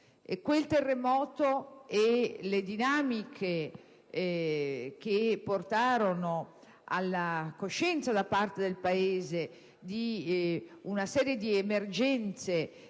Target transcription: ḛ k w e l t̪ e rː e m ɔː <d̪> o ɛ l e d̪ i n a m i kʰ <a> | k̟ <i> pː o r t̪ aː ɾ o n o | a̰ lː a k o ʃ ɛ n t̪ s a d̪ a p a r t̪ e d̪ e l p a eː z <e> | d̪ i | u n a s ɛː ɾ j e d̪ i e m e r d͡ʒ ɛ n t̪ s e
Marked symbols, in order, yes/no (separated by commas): no, no, no, yes